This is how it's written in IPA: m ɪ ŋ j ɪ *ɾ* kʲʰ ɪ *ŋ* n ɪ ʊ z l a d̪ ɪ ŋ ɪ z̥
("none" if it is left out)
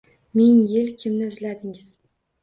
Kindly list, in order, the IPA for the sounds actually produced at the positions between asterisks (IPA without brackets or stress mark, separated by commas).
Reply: l, m